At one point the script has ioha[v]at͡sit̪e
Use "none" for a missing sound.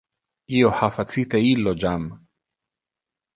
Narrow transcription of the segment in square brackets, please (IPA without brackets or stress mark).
f